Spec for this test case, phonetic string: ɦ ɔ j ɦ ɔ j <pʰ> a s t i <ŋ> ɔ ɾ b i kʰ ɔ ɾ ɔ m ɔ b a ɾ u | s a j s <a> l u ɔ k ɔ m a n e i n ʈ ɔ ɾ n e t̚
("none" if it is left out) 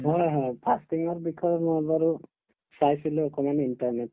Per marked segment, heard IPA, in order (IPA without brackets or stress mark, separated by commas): pʰ, ŋ, i